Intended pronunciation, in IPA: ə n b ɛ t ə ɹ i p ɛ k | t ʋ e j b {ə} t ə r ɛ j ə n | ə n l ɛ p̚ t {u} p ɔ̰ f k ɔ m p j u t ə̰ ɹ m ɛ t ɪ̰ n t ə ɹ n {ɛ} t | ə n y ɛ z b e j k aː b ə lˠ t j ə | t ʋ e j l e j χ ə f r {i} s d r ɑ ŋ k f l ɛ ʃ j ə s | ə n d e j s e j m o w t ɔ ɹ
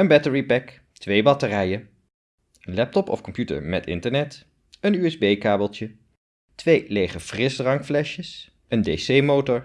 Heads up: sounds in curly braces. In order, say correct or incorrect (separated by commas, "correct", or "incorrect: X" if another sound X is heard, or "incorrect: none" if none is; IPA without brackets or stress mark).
incorrect: ɑ, incorrect: ɔ, correct, incorrect: ɪ